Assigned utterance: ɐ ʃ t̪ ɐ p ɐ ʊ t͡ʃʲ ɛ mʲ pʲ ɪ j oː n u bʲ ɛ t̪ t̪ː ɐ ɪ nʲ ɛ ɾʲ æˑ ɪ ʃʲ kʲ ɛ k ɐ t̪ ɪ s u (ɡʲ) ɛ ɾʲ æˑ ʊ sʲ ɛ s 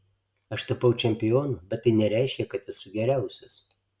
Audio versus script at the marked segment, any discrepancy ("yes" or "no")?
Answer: no